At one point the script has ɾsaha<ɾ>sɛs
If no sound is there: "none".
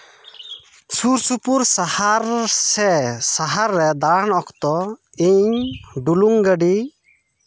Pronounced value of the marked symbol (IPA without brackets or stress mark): ɾ